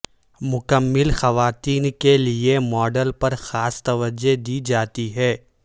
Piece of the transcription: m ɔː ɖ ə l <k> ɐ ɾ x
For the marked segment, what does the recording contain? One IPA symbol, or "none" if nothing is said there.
p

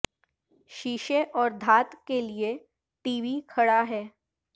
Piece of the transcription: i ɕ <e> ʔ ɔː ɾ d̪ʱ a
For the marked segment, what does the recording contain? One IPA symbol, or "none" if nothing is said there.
e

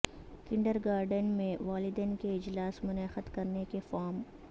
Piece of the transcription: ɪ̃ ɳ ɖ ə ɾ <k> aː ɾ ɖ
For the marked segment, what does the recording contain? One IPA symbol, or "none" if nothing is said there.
ɡ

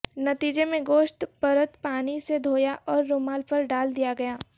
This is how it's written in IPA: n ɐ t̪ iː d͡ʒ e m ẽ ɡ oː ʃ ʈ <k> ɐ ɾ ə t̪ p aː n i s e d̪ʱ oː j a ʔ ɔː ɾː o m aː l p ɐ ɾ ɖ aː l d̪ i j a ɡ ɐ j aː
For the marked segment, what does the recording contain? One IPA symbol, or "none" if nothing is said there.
p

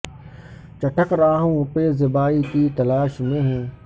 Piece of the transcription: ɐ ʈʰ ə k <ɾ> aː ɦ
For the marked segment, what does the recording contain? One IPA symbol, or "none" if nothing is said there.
ɾ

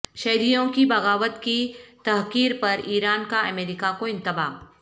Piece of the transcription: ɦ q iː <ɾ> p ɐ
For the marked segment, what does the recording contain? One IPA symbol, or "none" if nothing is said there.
ɾ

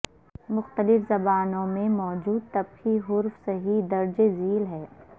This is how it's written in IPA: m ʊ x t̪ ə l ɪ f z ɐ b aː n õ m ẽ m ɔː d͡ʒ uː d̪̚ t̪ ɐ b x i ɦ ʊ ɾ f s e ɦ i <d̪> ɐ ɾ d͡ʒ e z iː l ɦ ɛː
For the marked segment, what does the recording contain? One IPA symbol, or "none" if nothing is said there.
d̪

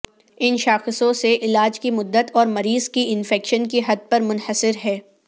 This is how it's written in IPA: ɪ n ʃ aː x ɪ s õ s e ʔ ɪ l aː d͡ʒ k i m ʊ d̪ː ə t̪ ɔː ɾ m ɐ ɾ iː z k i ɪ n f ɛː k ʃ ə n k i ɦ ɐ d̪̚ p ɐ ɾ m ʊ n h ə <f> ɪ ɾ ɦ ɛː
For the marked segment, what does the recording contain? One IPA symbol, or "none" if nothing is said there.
s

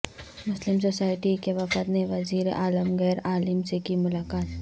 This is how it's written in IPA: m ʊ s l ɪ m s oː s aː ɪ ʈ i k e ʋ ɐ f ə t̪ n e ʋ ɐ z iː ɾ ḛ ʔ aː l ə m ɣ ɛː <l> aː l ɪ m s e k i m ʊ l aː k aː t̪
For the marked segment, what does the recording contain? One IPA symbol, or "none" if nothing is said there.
ɾ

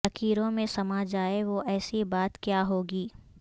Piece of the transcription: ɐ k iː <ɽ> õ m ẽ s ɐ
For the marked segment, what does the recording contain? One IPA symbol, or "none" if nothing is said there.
ɾ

